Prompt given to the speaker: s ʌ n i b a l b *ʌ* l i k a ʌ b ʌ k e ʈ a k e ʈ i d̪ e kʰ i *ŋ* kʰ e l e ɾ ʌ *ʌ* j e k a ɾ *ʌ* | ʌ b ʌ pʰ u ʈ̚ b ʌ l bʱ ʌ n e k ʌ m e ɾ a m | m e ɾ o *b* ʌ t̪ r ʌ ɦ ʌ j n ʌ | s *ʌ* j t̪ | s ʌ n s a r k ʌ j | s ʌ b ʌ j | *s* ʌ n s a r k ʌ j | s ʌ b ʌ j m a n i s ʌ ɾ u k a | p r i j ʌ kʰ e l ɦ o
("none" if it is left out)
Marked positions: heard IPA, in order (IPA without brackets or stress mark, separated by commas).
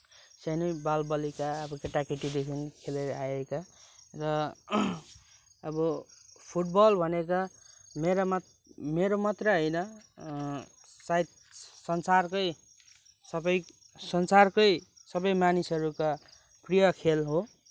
ʌ, n, a, ʌ, m, a, s